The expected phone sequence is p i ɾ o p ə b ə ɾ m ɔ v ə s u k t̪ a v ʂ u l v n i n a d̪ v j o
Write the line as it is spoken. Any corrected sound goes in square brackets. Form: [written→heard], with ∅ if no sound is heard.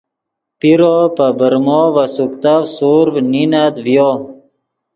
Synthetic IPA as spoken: p i ɾ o p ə b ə ɾ m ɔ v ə s u k t̪ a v [ʂ→s] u [l→ɾ] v n i n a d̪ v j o